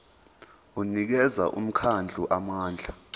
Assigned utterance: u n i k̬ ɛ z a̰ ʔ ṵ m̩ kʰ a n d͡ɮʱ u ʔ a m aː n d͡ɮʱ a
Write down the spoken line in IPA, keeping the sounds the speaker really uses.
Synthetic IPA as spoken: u n i k̬ ɛ z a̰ ʔ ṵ m̩ kʰ a n d͡ɮʱ u ʔ a m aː n d͡ɮʱ a

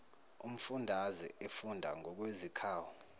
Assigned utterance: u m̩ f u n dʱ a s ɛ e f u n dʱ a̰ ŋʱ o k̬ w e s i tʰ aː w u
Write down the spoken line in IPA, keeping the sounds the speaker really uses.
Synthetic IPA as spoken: u m̩ f u n dʱ a z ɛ e f u n dʱ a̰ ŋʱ ɔ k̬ w e z i kʰ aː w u

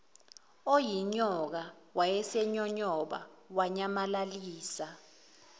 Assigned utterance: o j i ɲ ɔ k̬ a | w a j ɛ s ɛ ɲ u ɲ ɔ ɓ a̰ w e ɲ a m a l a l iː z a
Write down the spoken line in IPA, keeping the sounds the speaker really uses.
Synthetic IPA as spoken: o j i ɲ ɔ k̬ a | w a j ɛ s ɛ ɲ ɔ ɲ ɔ ɓ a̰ w a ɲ a m a l a l iː s a

